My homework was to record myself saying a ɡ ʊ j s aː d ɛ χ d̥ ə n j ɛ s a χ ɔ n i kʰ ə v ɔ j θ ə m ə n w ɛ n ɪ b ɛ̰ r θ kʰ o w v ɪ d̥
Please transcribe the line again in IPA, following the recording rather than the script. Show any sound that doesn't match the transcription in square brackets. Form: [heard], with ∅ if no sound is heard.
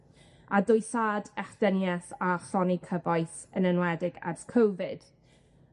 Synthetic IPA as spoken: a [d] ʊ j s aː d ɛ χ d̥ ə n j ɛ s a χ ɔ n i kʰ ə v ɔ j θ ə [n] ə n w ɛ [d] ɪ [ɡ] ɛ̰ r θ kʰ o w v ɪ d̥